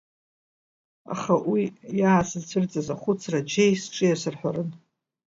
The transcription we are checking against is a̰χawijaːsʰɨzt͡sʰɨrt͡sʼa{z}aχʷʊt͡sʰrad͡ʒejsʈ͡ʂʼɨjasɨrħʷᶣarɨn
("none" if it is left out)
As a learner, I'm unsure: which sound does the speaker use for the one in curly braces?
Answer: z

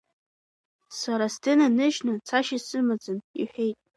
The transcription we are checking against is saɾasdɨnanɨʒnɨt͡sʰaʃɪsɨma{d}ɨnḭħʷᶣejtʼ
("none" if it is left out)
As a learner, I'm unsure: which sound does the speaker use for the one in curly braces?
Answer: d͡z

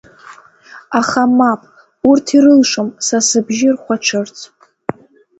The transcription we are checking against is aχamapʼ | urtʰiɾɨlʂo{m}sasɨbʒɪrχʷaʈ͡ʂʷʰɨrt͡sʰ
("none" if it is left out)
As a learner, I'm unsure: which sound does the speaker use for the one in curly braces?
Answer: m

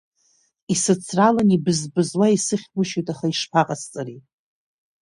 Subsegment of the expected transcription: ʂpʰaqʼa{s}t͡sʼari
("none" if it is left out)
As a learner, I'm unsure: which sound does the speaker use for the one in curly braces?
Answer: s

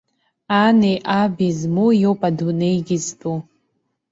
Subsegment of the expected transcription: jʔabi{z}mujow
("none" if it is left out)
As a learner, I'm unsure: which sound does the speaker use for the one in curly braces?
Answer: z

